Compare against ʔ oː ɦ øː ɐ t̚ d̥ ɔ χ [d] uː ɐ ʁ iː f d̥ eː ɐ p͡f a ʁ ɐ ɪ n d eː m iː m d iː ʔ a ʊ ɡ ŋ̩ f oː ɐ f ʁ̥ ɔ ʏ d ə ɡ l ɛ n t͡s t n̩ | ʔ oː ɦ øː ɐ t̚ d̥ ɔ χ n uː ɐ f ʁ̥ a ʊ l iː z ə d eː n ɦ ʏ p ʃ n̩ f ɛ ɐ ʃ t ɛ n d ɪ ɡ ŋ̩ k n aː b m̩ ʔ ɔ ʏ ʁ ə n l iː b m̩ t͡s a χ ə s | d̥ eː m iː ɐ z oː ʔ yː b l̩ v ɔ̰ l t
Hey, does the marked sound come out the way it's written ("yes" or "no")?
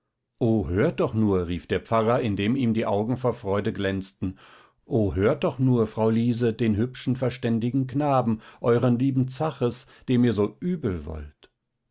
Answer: no